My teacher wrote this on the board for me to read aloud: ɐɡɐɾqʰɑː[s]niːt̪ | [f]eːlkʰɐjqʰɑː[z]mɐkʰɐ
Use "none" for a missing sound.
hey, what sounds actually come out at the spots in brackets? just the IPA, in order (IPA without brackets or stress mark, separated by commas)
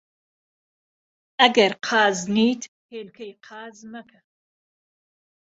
z, h, z